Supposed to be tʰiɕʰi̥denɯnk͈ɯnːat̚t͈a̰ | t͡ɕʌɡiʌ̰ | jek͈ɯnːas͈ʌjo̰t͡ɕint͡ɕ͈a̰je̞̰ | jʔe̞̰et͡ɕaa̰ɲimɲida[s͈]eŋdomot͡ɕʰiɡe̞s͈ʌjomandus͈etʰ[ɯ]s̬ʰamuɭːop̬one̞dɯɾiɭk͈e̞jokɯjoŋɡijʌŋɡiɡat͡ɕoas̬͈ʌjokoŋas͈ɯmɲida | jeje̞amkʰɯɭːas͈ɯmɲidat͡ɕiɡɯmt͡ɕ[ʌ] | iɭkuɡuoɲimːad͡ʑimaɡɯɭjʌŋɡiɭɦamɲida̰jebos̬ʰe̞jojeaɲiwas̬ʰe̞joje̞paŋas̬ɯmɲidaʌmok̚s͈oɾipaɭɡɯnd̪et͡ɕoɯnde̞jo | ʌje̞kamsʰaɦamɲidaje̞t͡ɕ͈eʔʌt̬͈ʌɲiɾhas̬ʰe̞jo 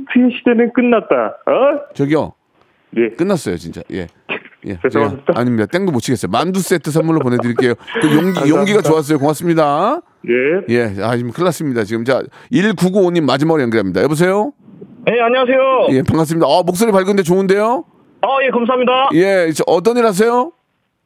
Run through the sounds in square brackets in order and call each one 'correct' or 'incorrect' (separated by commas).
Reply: incorrect, correct, incorrect